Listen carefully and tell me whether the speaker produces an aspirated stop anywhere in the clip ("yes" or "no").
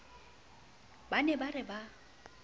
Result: no